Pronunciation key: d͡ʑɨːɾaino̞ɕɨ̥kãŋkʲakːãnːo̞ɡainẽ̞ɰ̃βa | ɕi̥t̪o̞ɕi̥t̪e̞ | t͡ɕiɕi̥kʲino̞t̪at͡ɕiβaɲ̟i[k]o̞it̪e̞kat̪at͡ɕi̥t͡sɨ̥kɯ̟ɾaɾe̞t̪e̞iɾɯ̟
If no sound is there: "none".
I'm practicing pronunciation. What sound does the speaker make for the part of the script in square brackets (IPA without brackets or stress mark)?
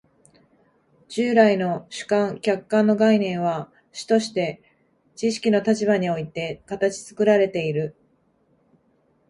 none